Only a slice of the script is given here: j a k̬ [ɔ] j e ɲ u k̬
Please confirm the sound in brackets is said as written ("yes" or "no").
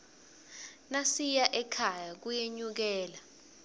no